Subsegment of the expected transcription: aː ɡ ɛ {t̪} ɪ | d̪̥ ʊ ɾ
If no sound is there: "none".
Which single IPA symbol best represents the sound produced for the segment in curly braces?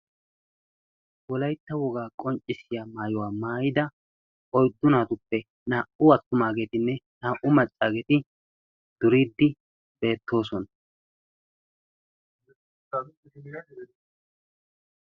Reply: t̪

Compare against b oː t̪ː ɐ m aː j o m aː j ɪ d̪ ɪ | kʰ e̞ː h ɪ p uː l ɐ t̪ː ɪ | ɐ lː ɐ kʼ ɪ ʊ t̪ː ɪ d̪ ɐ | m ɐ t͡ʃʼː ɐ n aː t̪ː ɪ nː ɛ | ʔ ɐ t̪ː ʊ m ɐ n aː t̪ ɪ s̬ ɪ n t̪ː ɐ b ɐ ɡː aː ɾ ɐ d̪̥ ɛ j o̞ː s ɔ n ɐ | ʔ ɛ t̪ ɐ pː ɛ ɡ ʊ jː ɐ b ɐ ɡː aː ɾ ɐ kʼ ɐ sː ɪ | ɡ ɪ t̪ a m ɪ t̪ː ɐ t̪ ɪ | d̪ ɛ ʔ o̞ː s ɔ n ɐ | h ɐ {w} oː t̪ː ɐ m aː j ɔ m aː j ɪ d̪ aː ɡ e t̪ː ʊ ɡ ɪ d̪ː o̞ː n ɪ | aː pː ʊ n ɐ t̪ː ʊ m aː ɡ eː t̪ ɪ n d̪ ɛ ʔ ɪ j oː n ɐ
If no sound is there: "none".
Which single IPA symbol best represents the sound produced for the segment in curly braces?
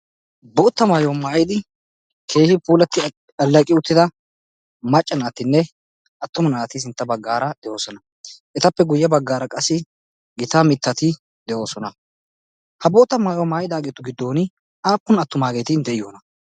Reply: b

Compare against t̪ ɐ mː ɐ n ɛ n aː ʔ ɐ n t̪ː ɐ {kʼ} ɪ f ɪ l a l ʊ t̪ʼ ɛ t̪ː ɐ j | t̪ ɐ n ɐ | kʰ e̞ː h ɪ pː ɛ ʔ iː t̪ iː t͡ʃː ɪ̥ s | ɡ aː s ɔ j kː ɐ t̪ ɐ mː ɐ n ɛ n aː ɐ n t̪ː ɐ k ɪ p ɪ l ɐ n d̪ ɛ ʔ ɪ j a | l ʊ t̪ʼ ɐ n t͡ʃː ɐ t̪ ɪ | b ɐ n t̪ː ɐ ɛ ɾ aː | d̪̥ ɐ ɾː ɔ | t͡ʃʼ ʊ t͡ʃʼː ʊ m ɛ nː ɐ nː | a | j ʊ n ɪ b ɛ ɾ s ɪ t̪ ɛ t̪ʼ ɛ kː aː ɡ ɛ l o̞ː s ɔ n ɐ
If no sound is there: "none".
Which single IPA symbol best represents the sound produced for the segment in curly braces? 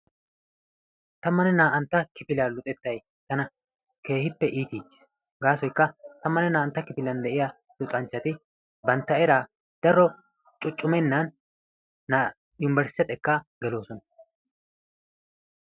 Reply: k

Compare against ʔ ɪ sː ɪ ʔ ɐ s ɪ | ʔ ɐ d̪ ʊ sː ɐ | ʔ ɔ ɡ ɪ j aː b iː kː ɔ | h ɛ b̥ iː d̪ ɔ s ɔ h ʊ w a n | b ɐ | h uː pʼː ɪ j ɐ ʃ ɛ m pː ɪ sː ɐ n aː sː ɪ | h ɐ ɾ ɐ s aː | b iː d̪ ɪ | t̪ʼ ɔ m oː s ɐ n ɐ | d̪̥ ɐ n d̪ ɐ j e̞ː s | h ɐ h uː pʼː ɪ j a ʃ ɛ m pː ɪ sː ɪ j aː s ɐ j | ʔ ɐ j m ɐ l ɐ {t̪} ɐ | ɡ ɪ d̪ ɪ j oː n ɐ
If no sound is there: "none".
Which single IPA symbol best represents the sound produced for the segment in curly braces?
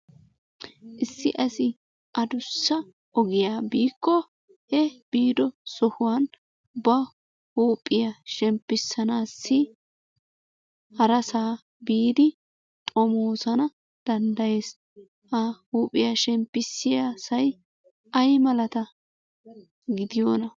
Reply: t̪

